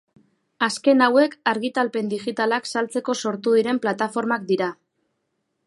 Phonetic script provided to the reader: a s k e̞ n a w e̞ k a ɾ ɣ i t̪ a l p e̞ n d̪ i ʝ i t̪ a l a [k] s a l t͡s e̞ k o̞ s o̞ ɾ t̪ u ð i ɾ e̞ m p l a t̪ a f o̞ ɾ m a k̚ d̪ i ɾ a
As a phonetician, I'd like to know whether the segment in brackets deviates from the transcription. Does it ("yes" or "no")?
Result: no